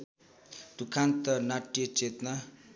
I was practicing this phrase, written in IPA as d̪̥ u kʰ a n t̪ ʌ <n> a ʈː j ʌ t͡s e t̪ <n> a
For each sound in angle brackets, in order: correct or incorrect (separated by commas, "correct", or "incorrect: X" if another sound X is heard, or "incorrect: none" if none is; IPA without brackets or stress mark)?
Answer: correct, correct